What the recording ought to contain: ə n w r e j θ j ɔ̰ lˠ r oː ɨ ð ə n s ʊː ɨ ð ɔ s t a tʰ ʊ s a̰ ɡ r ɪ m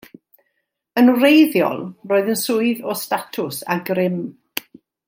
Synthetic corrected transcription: ə n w r e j ð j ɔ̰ lˠ r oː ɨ ð ə n s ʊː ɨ ð ɔ s t a tʰ ʊ s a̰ ɡ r ɪ m